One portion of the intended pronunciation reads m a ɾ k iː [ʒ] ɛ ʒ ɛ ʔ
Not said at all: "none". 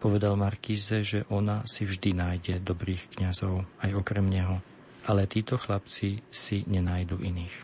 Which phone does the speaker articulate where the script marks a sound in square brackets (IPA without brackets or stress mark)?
z